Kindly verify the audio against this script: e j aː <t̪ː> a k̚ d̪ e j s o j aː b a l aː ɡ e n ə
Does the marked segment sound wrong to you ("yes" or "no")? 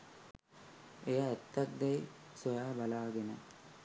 no